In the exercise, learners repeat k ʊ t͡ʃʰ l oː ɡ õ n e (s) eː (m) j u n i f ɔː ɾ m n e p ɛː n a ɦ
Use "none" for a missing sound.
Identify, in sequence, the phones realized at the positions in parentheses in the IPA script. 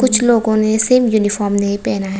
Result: s, m

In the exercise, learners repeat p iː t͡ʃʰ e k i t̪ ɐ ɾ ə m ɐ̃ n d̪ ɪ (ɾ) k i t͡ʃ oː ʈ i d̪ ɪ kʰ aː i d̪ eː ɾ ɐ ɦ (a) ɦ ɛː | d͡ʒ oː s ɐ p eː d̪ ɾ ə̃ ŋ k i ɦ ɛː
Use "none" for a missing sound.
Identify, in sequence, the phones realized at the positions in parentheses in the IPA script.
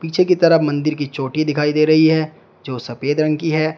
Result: ɾ, i

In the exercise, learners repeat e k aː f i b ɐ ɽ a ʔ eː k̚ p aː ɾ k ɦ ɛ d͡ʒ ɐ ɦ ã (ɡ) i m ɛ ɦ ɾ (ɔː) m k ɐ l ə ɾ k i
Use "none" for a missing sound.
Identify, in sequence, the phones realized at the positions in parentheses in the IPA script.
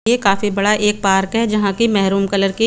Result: k, uː

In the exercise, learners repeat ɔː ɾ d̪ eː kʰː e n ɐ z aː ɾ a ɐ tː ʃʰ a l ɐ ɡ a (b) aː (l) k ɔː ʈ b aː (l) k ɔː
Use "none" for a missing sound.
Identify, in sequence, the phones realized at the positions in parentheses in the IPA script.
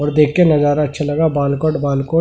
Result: b, l, l

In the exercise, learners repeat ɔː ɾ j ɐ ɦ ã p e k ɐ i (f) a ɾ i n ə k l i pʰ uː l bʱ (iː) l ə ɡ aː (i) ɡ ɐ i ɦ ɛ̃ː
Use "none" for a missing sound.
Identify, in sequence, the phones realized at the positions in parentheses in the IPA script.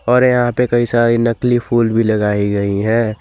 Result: s, i, i

